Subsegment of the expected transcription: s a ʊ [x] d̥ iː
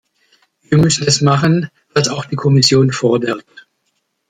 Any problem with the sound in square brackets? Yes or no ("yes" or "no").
no